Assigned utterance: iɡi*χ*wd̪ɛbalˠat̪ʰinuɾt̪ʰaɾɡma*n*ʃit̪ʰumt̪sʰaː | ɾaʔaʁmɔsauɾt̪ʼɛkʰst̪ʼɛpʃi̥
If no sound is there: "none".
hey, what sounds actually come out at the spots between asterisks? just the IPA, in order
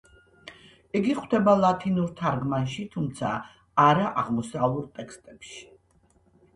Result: χ, n

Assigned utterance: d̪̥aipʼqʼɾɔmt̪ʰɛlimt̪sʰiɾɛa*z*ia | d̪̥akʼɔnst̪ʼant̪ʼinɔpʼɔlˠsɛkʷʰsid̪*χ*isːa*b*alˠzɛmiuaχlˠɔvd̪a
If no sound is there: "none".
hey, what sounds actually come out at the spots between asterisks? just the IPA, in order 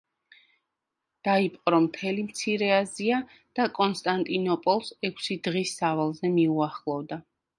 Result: z, ʁ, v

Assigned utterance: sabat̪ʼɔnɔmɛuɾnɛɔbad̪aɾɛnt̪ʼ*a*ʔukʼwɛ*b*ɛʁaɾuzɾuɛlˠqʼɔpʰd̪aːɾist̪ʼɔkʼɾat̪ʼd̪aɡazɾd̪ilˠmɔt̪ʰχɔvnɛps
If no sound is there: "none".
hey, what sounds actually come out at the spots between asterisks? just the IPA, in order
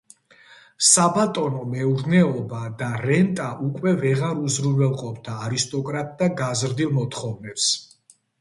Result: a, v

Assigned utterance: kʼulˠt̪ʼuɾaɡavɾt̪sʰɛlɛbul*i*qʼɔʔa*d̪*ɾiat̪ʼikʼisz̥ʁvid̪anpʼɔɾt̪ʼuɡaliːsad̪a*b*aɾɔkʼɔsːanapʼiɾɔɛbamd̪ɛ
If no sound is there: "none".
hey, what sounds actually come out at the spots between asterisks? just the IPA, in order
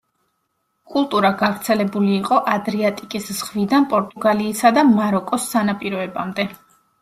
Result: iː, d̪, m

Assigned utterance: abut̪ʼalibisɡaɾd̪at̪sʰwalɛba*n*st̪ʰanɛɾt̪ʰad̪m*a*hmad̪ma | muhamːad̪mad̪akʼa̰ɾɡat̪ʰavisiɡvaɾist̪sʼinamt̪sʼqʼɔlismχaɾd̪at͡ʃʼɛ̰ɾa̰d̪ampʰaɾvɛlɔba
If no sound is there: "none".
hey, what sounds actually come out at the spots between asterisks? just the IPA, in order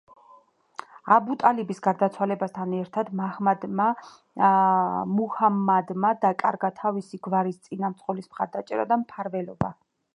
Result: none, a

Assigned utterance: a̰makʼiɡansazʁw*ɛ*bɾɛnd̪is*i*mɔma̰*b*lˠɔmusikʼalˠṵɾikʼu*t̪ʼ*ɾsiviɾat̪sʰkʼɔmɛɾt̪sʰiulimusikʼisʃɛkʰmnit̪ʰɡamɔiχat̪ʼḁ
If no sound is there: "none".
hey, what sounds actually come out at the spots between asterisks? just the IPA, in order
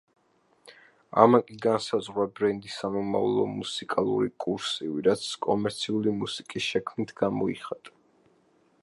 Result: a, a, v, none

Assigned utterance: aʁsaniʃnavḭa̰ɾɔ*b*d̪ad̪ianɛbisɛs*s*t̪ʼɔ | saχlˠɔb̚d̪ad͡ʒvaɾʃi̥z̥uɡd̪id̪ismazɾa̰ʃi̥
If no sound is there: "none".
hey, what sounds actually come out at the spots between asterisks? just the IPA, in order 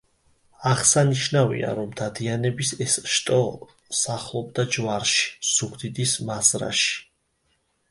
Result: m, ʃ

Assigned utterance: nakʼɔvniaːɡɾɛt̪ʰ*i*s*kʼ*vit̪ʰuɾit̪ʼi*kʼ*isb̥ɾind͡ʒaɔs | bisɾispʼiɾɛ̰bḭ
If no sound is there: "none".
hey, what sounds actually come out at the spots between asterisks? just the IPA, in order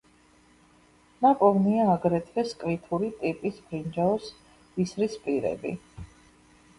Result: ɛ, kʼ, pʼ

